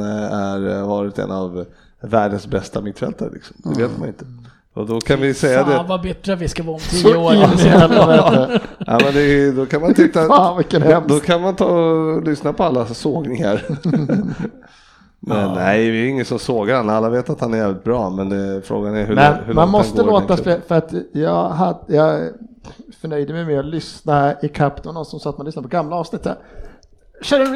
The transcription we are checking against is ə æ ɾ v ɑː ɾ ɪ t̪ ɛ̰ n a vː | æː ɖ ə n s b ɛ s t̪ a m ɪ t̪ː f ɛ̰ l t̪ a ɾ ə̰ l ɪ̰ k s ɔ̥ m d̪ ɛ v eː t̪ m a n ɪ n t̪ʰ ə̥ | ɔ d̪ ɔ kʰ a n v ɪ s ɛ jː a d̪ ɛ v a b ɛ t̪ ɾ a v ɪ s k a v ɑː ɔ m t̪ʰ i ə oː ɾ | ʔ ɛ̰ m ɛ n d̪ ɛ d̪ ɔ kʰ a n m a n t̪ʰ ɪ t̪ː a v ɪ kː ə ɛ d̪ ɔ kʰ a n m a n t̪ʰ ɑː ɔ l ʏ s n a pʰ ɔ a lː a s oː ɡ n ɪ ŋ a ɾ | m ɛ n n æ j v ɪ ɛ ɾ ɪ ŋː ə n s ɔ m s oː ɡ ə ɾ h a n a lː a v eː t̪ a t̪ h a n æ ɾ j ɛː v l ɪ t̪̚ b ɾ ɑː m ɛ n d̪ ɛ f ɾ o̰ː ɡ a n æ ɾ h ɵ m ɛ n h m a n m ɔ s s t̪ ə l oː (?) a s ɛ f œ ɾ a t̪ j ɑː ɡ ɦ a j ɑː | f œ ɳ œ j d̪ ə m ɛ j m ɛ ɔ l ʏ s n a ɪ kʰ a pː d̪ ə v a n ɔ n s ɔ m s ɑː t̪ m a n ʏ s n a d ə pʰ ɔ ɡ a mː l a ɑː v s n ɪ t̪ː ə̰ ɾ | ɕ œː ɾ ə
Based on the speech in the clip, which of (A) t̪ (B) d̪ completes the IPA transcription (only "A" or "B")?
A